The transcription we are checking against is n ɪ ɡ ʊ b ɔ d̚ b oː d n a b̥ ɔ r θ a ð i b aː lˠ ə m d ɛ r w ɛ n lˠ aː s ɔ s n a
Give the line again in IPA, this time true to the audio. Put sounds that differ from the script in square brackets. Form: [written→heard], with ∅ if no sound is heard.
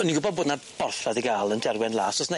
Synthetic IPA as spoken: n [ɪ→i] ɡ ʊ b ɔ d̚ b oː d n a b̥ ɔ r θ a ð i [b→ɡ] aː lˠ ə [m→n] d ɛ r w ɛ n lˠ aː s ɔ s n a